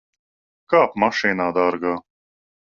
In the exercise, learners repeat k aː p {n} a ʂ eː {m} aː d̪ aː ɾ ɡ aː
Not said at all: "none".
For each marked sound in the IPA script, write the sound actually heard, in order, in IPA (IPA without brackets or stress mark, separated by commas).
m, n